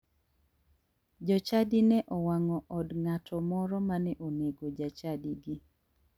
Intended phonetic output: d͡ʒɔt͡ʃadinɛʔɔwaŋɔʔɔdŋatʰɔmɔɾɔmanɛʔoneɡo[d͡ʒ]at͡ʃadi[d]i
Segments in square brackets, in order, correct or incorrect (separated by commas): correct, incorrect